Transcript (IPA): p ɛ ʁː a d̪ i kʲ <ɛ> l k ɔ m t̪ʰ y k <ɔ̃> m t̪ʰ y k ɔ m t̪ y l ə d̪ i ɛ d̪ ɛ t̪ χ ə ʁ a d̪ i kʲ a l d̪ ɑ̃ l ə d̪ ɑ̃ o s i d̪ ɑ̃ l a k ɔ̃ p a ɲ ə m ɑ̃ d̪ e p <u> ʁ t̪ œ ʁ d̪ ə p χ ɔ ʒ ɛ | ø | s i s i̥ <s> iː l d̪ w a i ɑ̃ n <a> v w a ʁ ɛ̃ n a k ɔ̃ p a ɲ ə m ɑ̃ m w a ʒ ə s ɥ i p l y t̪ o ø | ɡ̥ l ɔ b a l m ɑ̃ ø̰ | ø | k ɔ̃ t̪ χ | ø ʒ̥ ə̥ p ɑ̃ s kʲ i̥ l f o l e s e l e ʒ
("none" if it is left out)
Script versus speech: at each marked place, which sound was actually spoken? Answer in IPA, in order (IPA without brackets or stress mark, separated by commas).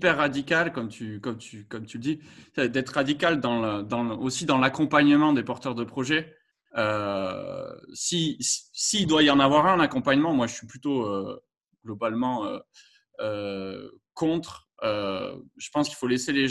a, ɔ, ɔ, s, a